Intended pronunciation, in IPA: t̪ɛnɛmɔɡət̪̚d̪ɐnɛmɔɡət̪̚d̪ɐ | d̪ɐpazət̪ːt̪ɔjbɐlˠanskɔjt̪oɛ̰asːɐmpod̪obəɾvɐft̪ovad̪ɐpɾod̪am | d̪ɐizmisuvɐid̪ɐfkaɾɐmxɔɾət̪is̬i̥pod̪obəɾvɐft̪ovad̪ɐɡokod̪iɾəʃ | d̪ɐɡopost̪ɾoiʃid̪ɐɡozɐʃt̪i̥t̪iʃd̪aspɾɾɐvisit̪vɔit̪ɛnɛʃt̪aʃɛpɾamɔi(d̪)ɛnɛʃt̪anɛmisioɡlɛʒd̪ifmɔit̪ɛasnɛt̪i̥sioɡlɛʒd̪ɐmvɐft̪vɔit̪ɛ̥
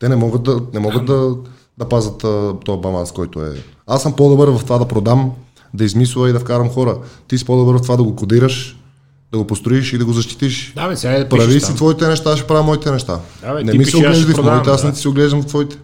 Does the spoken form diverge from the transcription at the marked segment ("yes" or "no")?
yes